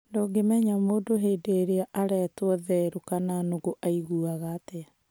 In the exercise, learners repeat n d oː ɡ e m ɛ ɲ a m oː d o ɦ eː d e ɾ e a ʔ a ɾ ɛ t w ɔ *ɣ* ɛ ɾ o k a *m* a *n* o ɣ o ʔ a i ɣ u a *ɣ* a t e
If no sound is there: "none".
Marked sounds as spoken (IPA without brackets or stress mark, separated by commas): ð, n, n, ɣ